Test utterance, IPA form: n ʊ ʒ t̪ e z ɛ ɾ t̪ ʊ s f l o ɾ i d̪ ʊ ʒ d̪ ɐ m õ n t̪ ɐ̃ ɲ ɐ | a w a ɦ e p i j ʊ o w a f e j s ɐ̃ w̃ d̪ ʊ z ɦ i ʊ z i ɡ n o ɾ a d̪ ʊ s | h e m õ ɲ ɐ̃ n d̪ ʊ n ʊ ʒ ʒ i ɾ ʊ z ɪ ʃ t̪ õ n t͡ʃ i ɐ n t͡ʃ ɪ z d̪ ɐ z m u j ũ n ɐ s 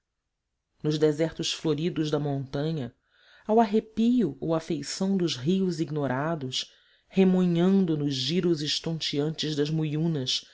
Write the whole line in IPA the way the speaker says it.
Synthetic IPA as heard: n ʊ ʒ d̪ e z ɛ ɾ t̪ ʊ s f l o ɾ i d̪ ʊ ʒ d̪ ɐ m õ n t̪ ɐ̃ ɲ ɐ | a w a ɦ e p i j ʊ o w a f e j s ɐ̃ w̃ d̪ ʊ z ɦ i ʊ z i ɡ n o ɾ a d̪ ʊ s | h e m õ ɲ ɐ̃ n d̪ ʊ n ʊ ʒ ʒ i ɾ ʊ z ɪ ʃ t̪ õ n t͡ʃ i ɐ̃ n t͡ʃ ɪ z d̪ ɐ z m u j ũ n ɐ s